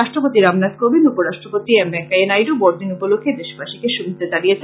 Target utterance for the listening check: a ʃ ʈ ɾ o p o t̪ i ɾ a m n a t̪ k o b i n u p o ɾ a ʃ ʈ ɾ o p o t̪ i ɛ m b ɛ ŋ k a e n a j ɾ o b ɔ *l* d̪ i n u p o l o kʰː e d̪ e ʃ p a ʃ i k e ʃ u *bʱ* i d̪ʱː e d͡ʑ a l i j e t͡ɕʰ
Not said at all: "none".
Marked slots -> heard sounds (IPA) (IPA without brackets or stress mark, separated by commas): ɾ, bʱ